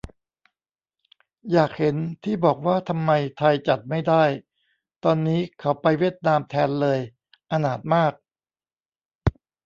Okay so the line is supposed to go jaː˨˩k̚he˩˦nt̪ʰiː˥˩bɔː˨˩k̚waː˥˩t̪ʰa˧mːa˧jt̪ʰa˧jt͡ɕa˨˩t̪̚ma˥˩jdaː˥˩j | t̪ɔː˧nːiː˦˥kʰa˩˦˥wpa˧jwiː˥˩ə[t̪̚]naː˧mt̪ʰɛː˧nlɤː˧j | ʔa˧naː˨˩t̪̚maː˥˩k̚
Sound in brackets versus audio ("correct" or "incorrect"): correct